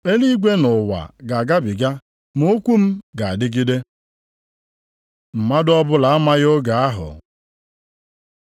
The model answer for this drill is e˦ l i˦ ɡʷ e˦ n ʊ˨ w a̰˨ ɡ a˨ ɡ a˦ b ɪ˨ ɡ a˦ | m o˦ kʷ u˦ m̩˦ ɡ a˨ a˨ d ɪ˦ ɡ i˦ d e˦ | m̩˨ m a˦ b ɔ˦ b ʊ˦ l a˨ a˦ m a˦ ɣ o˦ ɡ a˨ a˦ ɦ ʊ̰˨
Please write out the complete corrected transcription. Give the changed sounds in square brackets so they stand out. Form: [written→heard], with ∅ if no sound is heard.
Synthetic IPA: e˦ l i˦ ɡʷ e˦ n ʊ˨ w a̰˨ ɡ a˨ ɡ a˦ b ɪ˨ ɡ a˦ | m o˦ kʷ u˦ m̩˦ ɡ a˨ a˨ d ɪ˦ ɡ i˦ d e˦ | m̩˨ m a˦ [b→d] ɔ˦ b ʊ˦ l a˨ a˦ m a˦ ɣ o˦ ɡ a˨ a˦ ɦ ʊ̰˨